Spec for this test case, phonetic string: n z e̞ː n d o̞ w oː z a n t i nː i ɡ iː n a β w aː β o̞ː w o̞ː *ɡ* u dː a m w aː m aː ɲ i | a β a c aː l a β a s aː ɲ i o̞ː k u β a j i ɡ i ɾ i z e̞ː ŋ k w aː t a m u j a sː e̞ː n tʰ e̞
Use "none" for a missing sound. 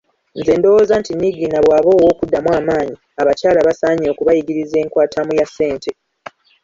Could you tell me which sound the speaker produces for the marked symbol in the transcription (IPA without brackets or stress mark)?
k